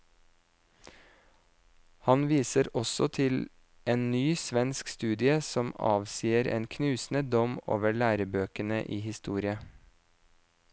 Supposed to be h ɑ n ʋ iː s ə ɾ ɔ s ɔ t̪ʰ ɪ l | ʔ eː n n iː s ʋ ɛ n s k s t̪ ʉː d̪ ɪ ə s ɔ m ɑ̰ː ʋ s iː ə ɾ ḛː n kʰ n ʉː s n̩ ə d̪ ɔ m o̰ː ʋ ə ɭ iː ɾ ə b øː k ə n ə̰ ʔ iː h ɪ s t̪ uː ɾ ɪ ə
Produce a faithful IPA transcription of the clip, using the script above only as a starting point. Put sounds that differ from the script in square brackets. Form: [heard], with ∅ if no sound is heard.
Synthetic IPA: h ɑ n ʋ iː s ə ɾ ɔ s ɔ t̪ʰ ɪ l | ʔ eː n n [yː] s ʋ ɛ n s k s t̪ ʉː d̪ ɪ ə s ɔ m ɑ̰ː ʋ s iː ə ɾ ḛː n kʰ n ʉː s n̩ ə d̪ ɔ m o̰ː ʋ ə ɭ [æː] ɾ ə b øː k ə n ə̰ ʔ iː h ɪ s t̪ uː ɾ ɪ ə